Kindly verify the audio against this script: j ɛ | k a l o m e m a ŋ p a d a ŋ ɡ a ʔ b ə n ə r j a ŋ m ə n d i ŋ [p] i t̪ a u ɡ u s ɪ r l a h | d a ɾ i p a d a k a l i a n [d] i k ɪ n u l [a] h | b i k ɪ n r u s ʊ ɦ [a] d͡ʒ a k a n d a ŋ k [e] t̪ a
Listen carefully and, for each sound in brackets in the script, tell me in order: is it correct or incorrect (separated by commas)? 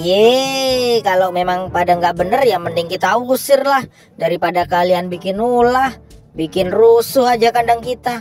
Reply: incorrect, incorrect, correct, correct, incorrect